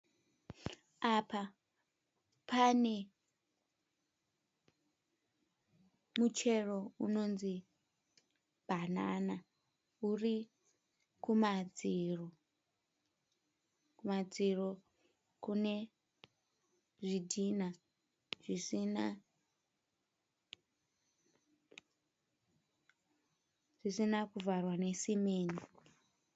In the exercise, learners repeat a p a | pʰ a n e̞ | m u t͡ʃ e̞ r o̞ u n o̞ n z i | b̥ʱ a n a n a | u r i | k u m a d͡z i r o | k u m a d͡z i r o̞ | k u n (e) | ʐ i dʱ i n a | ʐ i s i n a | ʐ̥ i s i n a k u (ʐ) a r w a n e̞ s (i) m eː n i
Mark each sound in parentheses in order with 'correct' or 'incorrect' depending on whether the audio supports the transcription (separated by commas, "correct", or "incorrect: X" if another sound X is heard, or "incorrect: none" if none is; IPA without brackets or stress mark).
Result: correct, incorrect: v, correct